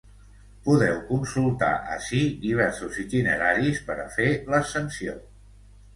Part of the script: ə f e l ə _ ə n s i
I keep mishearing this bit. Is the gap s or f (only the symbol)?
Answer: s